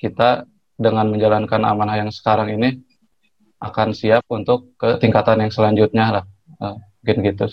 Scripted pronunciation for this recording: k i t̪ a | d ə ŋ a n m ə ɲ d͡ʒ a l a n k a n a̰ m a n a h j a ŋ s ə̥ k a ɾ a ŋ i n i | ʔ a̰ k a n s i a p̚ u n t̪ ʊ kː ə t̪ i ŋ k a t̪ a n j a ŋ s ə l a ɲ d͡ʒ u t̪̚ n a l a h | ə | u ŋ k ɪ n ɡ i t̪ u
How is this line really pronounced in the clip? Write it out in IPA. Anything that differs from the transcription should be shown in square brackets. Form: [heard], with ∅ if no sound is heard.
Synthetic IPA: k i t̪ a | d ə ŋ a n m ə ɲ d͡ʒ a l a n k a n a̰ m a n a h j a ŋ s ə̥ k a ɾ a ŋ i n i | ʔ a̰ k a n s i a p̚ u n t̪ ʊ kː ə t̪ i ŋ k a t̪ a n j a ŋ s ə l a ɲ d͡ʒ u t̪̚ [ɲ] a l a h | ə | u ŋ k ɪ n ɡ i t̪ u